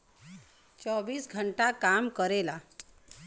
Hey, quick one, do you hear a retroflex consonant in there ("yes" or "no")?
yes